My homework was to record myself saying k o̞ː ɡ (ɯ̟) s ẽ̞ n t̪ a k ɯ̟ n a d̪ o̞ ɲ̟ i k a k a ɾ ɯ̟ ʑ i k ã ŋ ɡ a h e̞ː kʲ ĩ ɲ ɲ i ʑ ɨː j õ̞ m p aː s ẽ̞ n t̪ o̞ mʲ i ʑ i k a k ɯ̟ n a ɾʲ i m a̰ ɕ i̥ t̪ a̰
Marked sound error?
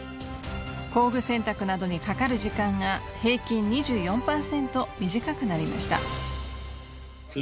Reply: no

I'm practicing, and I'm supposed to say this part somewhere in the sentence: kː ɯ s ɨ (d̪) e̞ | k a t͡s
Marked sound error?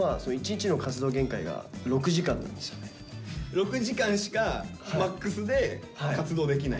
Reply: no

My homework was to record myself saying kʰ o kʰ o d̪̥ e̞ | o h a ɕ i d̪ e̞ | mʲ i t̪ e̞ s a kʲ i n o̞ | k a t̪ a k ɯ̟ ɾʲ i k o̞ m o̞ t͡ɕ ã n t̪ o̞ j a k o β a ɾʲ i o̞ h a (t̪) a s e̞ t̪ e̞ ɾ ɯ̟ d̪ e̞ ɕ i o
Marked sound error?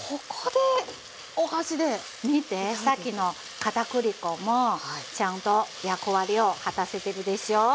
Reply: no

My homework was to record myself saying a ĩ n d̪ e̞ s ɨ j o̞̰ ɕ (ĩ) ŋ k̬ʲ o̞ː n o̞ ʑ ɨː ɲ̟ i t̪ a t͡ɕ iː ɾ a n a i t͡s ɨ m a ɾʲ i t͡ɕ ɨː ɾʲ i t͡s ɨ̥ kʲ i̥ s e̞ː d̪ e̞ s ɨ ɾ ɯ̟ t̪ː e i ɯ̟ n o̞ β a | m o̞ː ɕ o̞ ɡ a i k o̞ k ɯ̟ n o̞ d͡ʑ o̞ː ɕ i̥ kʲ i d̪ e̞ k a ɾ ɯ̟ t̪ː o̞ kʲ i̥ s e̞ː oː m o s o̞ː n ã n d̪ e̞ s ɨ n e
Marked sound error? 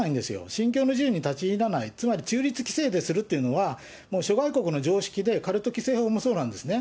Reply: no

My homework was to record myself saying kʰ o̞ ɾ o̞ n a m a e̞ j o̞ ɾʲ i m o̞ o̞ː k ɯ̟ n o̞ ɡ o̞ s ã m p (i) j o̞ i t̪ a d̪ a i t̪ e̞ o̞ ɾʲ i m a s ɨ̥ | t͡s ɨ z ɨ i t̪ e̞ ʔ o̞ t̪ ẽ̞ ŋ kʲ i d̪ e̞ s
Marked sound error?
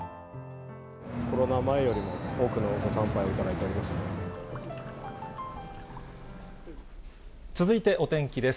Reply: yes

